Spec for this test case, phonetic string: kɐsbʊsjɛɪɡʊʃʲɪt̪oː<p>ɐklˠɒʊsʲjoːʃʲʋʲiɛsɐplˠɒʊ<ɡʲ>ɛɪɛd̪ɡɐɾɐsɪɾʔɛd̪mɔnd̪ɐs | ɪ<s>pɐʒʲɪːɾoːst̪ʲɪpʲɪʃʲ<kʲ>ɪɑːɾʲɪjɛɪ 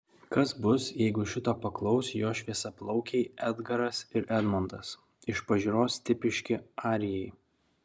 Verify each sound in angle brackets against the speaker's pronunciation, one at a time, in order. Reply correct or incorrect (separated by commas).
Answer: correct, incorrect, incorrect, correct